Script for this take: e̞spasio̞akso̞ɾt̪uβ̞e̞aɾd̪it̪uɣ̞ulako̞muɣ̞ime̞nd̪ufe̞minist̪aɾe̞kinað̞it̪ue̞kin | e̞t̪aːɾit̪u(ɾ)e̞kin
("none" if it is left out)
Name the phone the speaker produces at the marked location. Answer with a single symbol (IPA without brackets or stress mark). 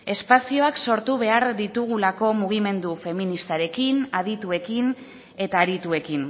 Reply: none